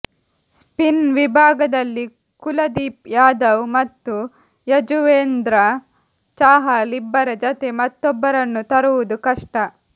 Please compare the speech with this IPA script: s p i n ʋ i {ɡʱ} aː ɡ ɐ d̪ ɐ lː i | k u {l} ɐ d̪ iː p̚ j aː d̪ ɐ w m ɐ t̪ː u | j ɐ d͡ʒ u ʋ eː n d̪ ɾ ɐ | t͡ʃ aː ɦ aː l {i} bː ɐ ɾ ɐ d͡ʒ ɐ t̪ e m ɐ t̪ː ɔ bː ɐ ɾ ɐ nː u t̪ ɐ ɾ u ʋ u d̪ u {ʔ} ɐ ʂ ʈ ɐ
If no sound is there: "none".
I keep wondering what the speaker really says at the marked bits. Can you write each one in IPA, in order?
bʱ, l, i, k

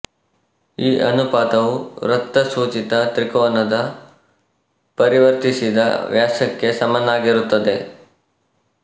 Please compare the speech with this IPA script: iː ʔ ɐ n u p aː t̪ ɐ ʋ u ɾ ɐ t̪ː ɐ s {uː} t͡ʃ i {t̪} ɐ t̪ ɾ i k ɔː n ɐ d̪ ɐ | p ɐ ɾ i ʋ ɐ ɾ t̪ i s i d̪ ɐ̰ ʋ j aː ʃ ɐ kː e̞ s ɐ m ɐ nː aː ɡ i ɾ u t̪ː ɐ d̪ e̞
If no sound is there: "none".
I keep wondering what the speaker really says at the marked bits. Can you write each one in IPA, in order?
uː, t̪

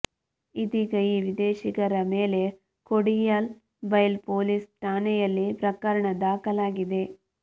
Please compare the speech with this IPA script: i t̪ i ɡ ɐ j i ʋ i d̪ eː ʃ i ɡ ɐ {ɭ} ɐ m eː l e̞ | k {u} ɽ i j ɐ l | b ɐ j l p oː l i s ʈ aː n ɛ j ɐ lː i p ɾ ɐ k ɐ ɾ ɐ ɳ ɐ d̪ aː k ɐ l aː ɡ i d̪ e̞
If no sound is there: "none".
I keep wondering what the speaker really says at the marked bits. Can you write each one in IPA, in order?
ɾ, o

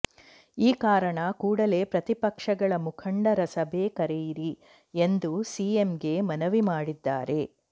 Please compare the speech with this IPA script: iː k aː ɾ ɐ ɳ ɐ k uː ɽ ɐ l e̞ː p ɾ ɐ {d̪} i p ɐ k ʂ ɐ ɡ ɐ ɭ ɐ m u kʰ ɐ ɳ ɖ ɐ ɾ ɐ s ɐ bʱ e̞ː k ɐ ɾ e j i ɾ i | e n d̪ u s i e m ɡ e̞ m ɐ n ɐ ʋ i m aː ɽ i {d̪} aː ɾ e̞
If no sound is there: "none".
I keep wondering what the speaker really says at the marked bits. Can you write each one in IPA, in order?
t̪, d̪ː

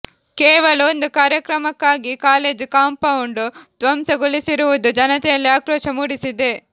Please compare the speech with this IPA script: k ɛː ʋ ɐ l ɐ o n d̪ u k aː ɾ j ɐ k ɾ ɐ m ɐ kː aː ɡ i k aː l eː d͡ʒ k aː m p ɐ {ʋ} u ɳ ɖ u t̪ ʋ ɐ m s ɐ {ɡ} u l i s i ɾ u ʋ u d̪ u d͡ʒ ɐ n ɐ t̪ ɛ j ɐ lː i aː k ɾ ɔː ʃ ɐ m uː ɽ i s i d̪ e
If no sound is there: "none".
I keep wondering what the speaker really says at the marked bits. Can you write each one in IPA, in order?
w, ɡ

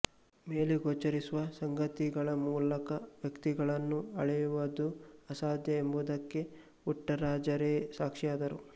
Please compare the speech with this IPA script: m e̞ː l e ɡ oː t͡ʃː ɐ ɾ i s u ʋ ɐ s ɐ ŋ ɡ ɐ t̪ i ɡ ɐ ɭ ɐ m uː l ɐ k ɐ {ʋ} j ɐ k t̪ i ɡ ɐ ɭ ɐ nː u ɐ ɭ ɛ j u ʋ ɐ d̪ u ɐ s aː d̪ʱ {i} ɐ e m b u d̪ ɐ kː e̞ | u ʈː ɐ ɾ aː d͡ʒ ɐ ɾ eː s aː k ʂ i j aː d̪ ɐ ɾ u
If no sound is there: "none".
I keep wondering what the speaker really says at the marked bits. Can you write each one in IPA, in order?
ʋ, j

